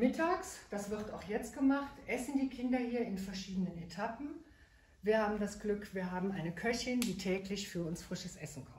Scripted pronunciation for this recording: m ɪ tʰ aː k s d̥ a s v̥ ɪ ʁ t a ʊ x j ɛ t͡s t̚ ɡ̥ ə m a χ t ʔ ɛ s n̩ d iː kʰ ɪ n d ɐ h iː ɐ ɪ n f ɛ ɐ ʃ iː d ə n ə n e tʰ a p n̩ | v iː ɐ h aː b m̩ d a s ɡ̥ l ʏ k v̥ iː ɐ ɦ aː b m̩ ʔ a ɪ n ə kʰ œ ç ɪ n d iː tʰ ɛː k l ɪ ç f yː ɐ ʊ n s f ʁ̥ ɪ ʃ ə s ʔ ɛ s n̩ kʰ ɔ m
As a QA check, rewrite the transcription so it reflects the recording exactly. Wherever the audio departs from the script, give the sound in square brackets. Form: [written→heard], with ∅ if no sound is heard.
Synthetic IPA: m ɪ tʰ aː k s d̥ a s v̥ ɪ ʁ t a ʊ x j ɛ t͡s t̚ ɡ̥ ə m a χ t ʔ ɛ s n̩ d iː kʰ ɪ n d ɐ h iː ɐ ɪ n f ɛ ɐ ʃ iː d ə n ə n e tʰ a p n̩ | v iː ɐ h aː b m̩ d a s ɡ̥ l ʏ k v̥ iː ɐ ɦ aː b m̩ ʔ a ɪ n ə kʰ œ ç ɪ n d iː tʰ ɛː k l ɪ ç f yː ɐ ʊ n s f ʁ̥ ɪ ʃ ə s ʔ ɛ s n̩ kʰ ɔ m